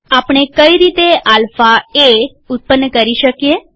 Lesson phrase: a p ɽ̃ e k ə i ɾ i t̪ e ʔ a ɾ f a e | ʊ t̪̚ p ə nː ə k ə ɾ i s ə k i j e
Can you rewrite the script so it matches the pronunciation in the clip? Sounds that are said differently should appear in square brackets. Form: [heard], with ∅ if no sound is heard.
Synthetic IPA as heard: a p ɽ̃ e k ə i ɾ i t̪ e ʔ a [l] f a e | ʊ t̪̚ p ə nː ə k ə ɾ i [ʃ] ə k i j e